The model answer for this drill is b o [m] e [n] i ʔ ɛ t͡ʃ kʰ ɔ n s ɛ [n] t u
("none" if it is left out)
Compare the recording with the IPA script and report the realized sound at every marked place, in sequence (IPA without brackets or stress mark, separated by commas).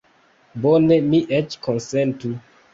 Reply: n, m, n